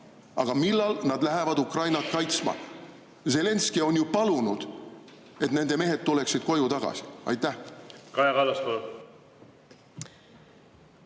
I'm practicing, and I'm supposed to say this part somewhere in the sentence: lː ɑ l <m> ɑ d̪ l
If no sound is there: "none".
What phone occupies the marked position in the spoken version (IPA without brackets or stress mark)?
n